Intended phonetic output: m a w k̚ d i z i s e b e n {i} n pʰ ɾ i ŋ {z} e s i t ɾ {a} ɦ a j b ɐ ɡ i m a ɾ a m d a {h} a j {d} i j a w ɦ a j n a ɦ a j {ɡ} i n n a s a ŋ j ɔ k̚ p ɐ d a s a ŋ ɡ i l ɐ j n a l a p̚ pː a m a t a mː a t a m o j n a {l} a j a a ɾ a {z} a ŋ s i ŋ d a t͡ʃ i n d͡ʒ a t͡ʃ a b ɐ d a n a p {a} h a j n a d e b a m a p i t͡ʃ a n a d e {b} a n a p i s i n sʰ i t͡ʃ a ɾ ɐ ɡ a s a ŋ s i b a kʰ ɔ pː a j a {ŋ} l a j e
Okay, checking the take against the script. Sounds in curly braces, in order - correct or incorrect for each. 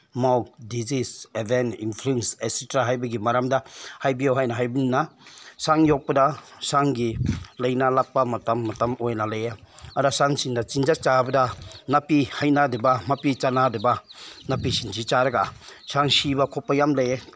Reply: correct, incorrect: s, correct, correct, incorrect: b, incorrect: b, correct, incorrect: s, incorrect: i, correct, incorrect: m

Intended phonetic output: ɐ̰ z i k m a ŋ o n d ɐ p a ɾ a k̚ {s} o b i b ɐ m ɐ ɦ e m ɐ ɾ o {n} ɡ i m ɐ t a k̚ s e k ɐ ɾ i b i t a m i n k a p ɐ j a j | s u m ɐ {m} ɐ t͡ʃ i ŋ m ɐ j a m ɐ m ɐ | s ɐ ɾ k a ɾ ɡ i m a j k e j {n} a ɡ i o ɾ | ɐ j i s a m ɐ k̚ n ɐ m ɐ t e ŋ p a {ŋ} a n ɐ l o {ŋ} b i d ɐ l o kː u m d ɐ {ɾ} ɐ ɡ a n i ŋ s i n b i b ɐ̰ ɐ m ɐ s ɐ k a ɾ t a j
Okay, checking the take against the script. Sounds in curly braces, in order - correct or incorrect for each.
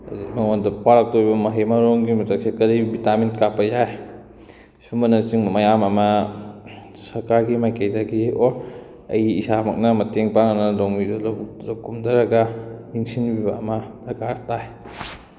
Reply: incorrect: t, incorrect: ŋ, incorrect: n, incorrect: d, correct, correct, correct

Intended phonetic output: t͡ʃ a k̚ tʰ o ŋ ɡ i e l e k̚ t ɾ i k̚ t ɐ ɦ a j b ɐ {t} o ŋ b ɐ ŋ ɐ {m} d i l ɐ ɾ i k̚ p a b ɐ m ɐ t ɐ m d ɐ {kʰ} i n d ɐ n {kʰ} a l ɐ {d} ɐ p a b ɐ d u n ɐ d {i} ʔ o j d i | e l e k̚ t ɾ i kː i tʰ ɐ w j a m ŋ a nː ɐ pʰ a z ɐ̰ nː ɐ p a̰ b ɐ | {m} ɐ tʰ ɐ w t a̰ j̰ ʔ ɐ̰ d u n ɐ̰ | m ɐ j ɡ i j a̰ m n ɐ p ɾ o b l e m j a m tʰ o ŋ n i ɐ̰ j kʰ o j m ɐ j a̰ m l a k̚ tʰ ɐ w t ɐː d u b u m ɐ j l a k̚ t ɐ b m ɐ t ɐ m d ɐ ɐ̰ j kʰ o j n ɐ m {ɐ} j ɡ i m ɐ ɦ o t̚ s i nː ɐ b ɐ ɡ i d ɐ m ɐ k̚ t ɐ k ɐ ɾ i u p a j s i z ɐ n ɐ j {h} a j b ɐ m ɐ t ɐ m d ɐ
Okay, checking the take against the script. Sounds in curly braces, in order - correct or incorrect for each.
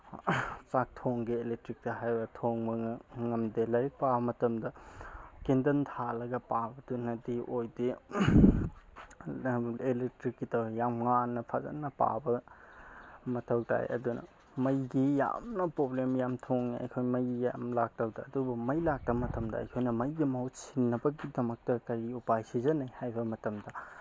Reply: incorrect: tʰ, correct, incorrect: k, incorrect: tʰ, incorrect: ɡ, correct, correct, correct, correct

